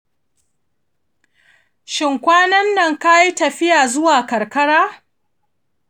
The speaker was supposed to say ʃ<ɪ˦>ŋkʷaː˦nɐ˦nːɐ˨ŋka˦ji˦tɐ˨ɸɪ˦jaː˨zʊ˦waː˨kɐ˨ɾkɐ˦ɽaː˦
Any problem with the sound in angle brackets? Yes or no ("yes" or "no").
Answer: yes